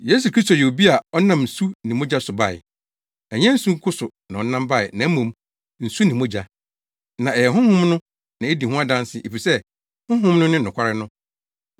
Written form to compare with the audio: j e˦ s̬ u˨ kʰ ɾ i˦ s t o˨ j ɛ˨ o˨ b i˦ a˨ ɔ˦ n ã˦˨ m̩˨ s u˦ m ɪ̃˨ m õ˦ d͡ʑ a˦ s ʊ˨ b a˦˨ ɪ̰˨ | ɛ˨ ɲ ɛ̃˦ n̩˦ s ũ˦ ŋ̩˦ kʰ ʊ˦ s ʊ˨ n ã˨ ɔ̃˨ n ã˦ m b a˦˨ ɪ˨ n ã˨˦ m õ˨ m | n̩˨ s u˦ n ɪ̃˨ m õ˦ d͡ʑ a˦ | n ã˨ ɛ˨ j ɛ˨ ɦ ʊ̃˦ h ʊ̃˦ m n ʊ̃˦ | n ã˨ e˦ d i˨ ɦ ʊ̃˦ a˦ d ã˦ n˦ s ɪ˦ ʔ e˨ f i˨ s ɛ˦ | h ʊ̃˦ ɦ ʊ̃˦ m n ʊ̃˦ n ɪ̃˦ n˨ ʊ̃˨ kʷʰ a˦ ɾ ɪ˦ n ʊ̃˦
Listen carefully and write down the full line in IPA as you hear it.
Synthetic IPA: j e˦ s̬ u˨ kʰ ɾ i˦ s t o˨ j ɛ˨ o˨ b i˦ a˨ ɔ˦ n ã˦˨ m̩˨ s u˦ n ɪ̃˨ m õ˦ d͡ʑ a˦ s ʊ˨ b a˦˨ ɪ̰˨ | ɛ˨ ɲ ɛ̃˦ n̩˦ s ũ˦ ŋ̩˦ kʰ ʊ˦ s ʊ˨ n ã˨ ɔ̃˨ n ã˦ m b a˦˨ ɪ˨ n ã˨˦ m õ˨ m | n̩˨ s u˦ n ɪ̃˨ m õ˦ d͡ʑ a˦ | n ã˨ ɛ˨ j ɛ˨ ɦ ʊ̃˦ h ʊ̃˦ m n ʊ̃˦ | n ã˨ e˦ d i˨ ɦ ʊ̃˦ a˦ d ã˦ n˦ s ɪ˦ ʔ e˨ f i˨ s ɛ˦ | h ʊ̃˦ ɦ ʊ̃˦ m n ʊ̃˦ n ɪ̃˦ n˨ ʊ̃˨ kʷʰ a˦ ɾ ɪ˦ n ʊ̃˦